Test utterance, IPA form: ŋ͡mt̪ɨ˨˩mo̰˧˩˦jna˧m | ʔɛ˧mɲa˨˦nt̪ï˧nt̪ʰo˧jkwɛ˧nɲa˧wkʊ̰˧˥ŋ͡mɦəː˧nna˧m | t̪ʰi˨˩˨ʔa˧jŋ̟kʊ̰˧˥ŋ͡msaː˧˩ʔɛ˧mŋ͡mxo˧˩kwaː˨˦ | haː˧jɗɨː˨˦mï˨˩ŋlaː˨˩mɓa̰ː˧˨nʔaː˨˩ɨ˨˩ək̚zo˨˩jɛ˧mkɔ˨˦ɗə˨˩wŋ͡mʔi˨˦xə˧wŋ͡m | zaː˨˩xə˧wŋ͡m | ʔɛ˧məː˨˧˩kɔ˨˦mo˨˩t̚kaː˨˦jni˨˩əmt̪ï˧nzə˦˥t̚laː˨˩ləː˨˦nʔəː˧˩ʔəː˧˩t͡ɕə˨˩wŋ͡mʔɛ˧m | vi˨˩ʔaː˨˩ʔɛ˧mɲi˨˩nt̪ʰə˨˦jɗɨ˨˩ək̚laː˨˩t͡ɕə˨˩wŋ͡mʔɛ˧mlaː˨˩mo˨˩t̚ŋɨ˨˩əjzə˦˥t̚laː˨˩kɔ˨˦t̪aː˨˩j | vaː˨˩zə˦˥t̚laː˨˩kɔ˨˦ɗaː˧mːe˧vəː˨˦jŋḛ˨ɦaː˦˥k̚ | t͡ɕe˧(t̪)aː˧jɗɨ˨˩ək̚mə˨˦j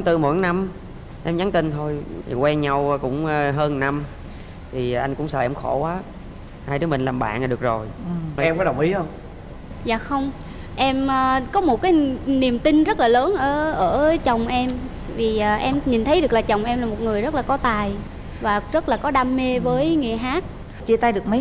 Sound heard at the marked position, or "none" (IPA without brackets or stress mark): t̪